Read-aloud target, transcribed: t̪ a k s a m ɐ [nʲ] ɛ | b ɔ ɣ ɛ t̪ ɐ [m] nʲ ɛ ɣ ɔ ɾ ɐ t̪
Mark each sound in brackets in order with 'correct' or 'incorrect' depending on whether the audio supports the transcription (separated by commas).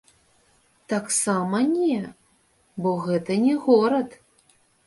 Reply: correct, incorrect